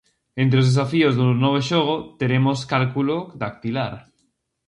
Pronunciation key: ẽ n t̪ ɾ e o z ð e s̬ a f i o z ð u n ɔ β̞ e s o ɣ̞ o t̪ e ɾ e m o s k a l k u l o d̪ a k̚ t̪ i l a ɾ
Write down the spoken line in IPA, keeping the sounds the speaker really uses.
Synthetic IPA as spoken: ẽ n t̪ ɾ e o z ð e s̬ a f i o z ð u n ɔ β̞ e ʃ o ɣ̞ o t̪ e ɾ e m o s k a l k u l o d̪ a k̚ t̪ i l a ɾ